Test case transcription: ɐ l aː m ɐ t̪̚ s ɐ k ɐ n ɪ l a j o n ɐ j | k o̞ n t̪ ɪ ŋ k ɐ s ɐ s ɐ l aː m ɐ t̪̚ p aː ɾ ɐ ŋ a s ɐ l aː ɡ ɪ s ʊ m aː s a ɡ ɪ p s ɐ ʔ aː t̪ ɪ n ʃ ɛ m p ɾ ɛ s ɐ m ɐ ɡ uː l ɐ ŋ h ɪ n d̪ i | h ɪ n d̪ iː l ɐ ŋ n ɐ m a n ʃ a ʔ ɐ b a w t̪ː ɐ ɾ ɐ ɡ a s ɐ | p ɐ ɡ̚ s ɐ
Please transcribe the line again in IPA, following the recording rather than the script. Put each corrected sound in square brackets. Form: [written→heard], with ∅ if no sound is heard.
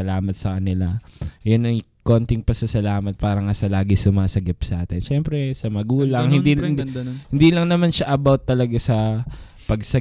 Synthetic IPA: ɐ l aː m ɐ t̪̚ s ɐ k ɐ n ɪ l a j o n ɐ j | k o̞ n t̪ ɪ ŋ [k→p] ɐ s ɐ s ɐ l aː m ɐ t̪̚ p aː ɾ ɐ ŋ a s ɐ l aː ɡ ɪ s ʊ m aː s [a→ɐ] ɡ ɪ p s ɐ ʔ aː t̪ ɪ n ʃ ɛ m p ɾ ɛ s ɐ m ɐ ɡ uː l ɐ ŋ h ɪ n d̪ i | h ɪ n d̪ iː l ɐ ŋ n ɐ m a n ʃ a ʔ ɐ b a w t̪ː ɐ [ɾ→l] ɐ ɡ a s ɐ | p ɐ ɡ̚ s ɐ